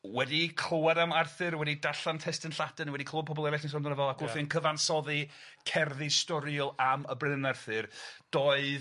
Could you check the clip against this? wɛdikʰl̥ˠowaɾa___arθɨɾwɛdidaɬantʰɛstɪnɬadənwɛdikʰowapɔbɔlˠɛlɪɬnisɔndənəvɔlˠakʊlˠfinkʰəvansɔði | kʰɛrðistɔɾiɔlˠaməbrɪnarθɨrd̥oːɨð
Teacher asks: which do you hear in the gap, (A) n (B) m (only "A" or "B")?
B